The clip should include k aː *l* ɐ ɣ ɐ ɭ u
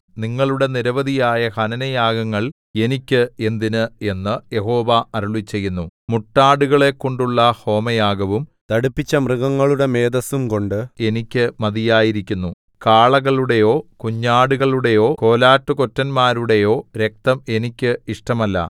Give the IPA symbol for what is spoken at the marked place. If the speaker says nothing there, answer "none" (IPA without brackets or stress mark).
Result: ɭ